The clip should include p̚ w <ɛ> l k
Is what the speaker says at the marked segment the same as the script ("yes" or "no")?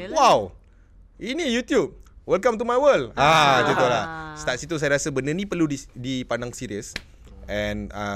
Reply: yes